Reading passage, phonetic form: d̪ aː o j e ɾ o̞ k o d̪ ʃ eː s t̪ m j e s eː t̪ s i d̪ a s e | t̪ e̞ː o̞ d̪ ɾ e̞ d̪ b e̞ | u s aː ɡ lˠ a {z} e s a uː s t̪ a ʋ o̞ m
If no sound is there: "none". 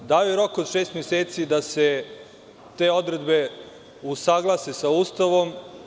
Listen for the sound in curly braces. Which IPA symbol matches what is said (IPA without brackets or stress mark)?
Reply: s